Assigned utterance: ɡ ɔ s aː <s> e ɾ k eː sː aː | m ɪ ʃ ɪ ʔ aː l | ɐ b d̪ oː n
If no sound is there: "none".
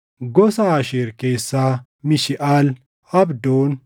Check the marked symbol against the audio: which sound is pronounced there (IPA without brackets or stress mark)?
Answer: ʃ